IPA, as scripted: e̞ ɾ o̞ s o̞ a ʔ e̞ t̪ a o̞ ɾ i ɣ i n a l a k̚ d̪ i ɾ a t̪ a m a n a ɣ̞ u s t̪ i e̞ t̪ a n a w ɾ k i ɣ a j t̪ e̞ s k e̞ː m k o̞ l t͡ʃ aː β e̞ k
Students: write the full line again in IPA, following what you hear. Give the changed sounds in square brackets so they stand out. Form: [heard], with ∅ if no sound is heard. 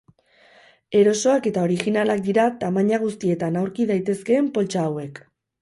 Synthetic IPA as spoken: e̞ ɾ o̞ s o̞ a [k] e̞ t̪ a o̞ ɾ i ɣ i n a l a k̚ d̪ i ɾ a t̪ a m a [ɲ] a ɣ̞ u s t̪ i e̞ t̪ a n a w ɾ k i [ð] a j t̪ e̞ s k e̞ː m [p] o̞ l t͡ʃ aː [w] e̞ k

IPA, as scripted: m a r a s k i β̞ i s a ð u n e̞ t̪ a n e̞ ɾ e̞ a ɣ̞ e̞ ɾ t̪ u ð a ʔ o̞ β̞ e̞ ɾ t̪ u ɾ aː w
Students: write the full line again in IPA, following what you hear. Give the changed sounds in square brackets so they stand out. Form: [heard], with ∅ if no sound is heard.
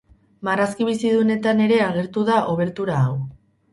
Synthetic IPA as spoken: m a r a s k i β̞ i s [i] ð u n e̞ t̪ a n e̞ ɾ e̞ a ɣ̞ e̞ ɾ t̪ u ð a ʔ o̞ β̞ e̞ ɾ t̪ u ɾ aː w

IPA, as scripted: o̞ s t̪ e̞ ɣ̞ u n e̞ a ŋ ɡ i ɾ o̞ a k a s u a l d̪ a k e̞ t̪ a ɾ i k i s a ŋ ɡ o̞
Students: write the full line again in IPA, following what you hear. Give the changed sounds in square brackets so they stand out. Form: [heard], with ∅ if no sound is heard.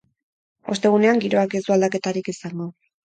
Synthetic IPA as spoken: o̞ s t̪ e̞ ɣ̞ u n e̞ a ŋ ɡ i ɾ o̞ a k [e] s u a l d̪ a k e̞ t̪ a ɾ i k i s a ŋ ɡ o̞

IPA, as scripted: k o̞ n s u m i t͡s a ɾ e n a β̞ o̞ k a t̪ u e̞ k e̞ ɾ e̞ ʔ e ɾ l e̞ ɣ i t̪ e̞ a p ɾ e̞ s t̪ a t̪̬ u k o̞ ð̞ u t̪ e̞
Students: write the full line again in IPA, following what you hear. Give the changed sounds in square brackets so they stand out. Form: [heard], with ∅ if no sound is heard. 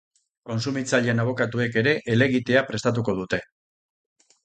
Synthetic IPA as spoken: k o̞ n s u m i t͡s a [ʎ] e n a β̞ o̞ k a t̪ u e̞ k e̞ ɾ e̞ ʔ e [∅] l e̞ ɣ i t̪ e̞ a p ɾ e̞ s t̪ a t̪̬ u k o̞ ð̞ u t̪ e̞

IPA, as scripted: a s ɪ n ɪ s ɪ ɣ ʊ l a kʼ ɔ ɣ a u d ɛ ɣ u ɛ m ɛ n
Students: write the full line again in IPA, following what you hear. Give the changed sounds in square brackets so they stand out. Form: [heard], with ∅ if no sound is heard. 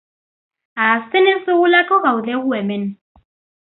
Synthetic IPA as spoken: a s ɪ n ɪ s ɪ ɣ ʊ l a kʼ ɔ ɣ a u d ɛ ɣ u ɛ m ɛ n

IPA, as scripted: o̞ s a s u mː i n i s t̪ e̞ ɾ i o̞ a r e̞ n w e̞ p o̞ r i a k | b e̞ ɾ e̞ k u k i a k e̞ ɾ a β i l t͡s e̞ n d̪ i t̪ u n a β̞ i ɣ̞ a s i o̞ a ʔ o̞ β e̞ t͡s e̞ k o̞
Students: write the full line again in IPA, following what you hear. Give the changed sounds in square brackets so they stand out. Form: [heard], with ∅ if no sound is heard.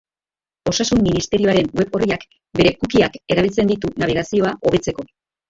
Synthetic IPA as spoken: o̞ s a s u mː i n i s t̪ e̞ ɾ i o̞ a [ɾ] e̞ n w e̞ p o̞ r i a k | b e̞ ɾ e̞ k u k i a k e̞ ɾ a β i l t͡s e̞ n d̪ i t̪ u n a β̞ i ɣ̞ a s i o̞ a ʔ o̞ β e̞ t͡s e̞ k o̞

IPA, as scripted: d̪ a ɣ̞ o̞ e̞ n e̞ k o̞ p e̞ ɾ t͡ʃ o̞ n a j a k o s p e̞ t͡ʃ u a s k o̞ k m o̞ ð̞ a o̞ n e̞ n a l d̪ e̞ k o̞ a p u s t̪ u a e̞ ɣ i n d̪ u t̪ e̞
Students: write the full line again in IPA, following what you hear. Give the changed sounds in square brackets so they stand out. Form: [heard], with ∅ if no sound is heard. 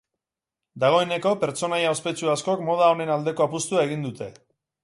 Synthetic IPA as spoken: d̪ a ɣ̞ o̞ e̞ n e̞ k o̞ p e̞ ɾ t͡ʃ o̞ n a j a [∅] o s p e̞ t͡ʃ u a s k o̞ k m o̞ ð̞ a o̞ n e̞ n a l d̪ e̞ k o̞ a p u s t̪ u a e̞ ɣ i n d̪ u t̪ e̞

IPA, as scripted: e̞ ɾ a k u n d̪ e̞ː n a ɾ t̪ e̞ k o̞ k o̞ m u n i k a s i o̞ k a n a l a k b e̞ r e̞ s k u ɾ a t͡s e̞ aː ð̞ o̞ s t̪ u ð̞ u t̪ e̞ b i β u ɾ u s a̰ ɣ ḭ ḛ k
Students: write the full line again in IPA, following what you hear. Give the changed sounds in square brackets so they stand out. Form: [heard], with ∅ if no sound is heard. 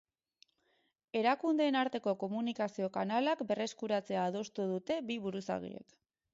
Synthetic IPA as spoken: e̞ ɾ a k u n d̪ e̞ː n a ɾ t̪ e̞ k o̞ k o̞ m u n i k a s i o̞ k a n a l a k b e̞ r e̞ s k u ɾ a t͡s e̞ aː ð̞ o̞ s t̪ u ð̞ u t̪ e̞ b i β u ɾ u s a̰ ɣ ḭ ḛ k

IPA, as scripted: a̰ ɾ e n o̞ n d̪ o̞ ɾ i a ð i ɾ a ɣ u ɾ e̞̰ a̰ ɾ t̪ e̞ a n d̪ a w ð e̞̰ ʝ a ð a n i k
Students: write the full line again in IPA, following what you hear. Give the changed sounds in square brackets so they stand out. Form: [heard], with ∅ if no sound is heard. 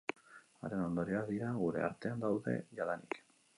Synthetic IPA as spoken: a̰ ɾ e n o̞ n d̪ o̞ ɾ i a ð i ɾ a ɣ u ɾ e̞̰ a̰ ɾ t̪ e̞ a n d̪ a w ð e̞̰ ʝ a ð a n i k

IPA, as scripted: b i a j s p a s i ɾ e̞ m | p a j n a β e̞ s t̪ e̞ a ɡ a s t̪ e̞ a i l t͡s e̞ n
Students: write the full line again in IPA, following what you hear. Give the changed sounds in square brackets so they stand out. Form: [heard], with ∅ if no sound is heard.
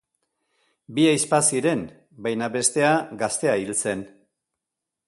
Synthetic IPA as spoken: b i a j s p a s i ɾ e̞ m | [b] a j n a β e̞ s t̪ e̞ a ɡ a s t̪ e̞ a i l t͡s e̞ n

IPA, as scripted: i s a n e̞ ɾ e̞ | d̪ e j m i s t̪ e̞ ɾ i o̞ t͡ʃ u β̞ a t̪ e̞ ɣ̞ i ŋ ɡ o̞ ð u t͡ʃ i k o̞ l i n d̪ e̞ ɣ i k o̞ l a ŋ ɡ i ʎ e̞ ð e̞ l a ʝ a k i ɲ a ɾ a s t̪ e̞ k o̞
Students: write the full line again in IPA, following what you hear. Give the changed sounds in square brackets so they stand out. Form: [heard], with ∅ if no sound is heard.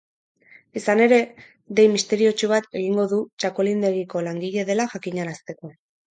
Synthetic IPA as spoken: i s a n e̞ ɾ e̞ | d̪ e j m i s t̪ e̞ ɾ i o̞ t͡ʃ u β̞ a t̪ e̞ ɣ̞ i ŋ ɡ o̞ ð u t͡ʃ [a] k o̞ l i n d̪ e̞ ɣ i k o̞ l a ŋ ɡ i ʎ e̞ ð e̞ l a ʝ a k i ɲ a ɾ a s t̪ e̞ k o̞

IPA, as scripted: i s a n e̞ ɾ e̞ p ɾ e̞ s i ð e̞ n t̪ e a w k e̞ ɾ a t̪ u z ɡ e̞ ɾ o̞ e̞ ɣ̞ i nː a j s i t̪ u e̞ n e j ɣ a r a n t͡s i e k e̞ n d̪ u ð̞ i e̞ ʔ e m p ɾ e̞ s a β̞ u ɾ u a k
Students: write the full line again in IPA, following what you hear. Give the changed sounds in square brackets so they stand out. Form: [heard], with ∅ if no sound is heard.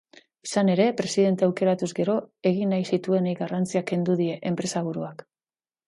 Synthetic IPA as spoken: i s a n e̞ ɾ e̞ p ɾ e̞ s i ð e̞ n t̪ e a w k e̞ ɾ a t̪ u z ɡ e̞ ɾ o̞ e̞ ɣ̞ i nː a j s i t̪ u e̞ n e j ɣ a r a n t͡s i [a] k e̞ n d̪ u ð̞ i e̞ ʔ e m p ɾ e̞ s a β̞ u ɾ u a k

